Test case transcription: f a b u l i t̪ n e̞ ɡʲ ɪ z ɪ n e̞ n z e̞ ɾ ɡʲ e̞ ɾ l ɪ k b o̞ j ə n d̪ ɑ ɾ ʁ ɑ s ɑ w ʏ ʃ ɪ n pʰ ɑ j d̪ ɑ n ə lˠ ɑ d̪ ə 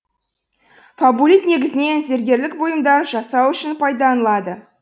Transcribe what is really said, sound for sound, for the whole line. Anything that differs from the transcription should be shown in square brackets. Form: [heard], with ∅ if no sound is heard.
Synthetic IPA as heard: f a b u l i t̪ n e̞ ɡʲ ɪ z ɪ n e̞ n z e̞ ɾ ɡʲ e̞ ɾ l ɪ k b o̞ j ə [m] d̪ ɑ ɾ [ʒ] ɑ s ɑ w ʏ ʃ ɪ n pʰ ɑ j d̪ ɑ n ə lˠ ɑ d̪ ə